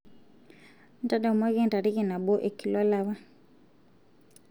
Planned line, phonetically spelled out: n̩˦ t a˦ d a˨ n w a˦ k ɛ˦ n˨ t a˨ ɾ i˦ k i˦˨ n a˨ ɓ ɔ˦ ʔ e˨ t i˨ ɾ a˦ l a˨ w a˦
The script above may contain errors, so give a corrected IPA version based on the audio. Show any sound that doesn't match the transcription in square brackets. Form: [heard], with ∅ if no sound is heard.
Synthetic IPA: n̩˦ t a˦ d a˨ [m] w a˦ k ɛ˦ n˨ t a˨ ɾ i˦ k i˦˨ n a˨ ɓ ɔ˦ ʔ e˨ [k] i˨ [l] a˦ l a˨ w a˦